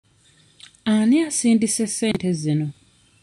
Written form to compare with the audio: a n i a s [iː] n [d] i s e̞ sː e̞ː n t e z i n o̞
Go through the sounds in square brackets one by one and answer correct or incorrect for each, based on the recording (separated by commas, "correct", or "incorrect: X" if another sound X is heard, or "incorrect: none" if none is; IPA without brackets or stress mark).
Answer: correct, correct